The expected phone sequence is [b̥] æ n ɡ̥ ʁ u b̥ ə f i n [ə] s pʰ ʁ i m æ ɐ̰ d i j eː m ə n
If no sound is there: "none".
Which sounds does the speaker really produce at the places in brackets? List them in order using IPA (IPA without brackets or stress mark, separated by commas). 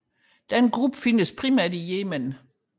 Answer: d̥, ə